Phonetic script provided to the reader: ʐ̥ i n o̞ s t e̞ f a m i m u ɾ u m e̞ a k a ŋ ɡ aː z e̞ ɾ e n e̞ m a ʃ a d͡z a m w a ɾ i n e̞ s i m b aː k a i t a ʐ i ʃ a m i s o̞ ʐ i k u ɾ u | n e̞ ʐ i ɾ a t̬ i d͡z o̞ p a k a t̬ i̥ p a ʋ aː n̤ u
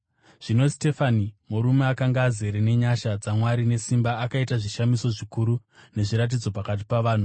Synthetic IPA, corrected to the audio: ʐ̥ i n o̞ s t e̞ f a n i m u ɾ u m e̞ a k a ŋ ɡ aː z e̞ ɾ e n e̞ ɲ a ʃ a d͡z a m w a ɾ i n e̞ s i m b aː k a i t a ʐ i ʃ a m i s o̞ ʐ i k u ɾ u | n e̞ ʐ i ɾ a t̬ i d͡z o̞ p a k a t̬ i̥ p a ʋ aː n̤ u